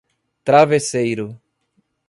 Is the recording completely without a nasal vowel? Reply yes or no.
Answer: yes